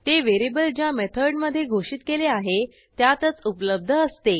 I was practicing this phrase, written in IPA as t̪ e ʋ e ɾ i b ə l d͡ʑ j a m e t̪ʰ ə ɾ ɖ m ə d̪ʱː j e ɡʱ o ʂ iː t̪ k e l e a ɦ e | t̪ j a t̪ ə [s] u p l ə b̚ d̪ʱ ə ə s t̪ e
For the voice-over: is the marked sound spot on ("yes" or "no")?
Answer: no